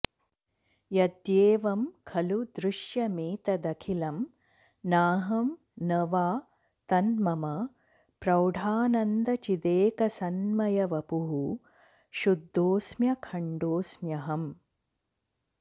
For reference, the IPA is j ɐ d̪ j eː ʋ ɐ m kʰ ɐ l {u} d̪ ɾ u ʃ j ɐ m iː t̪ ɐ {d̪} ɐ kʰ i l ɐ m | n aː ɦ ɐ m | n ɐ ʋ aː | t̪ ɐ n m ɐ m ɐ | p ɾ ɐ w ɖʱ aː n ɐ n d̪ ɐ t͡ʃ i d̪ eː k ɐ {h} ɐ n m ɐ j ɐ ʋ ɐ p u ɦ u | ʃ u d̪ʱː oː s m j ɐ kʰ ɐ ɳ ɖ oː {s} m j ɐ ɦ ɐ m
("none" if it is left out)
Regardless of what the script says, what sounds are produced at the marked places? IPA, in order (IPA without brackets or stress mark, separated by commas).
u, d̪, s, s